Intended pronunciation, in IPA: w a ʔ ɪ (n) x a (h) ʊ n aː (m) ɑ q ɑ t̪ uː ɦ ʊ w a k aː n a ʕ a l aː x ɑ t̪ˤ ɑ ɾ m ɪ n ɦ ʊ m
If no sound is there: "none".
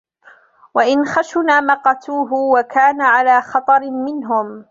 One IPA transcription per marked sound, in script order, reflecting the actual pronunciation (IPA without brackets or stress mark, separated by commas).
n, ʃ, m